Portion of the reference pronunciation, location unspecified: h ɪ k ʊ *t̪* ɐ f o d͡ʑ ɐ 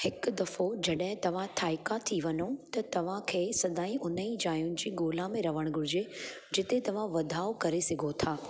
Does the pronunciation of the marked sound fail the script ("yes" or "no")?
yes